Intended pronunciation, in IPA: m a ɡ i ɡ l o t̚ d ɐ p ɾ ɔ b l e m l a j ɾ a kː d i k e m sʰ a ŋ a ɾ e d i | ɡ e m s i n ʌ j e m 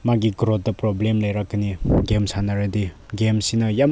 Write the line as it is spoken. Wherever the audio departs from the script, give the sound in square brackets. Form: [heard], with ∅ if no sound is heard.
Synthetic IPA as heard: m a ɡ i ɡ [ɾ] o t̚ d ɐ p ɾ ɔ b l e m l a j ɾ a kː [n] i [ɡ] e m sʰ a [n] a ɾ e d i | ɡ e m s i n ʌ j [a] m